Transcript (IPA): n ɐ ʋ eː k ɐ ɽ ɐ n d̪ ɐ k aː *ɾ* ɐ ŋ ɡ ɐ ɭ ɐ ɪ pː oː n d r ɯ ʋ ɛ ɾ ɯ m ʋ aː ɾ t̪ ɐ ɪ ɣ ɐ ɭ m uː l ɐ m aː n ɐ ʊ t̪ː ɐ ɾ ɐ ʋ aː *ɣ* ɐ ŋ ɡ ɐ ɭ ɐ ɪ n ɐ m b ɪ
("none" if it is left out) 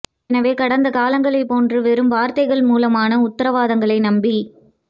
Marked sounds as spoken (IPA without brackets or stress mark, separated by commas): l, ð